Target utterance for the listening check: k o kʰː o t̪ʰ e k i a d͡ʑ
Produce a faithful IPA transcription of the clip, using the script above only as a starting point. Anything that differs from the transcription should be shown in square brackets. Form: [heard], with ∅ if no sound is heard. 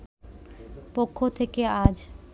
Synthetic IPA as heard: [p] o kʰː o t̪ʰ e k [e] a d͡ʑ